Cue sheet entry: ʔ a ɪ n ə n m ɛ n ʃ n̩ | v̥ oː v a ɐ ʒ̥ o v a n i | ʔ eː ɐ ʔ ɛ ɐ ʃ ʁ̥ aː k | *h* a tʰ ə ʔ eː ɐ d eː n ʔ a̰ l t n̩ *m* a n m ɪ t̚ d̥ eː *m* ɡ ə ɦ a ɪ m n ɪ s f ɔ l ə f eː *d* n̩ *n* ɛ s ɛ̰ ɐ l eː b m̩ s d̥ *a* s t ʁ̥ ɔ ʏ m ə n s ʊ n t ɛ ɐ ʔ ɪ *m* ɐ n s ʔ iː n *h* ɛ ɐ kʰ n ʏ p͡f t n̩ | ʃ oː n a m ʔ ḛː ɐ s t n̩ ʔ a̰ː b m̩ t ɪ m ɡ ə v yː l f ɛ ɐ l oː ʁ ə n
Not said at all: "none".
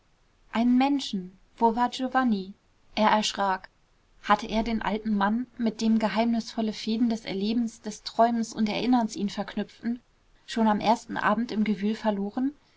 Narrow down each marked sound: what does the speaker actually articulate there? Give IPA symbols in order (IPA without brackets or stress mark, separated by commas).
h, m, m, d, d, ɛ, n, f